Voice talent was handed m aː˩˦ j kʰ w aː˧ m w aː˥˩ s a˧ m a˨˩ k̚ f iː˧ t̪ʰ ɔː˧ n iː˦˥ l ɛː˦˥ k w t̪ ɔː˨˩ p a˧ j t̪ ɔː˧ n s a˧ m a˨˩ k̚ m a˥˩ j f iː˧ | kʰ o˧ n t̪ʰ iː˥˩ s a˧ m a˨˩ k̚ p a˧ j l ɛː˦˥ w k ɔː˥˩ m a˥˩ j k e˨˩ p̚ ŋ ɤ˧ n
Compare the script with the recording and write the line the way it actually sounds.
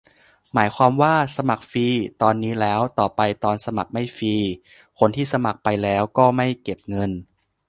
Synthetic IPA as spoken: m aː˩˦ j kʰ w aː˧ m w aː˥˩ s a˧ m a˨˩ k̚ f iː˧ t̪ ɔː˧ nː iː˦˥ l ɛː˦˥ w t̪ ɔː˨˩ p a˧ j t̪ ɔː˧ n s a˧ m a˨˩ k̚ m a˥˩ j f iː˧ | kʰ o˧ n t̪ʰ iː˥˩ s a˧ m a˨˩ k̚ p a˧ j l ɛː˦˥ w k ɔː˥˩ m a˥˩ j k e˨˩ p̚ ŋ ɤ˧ n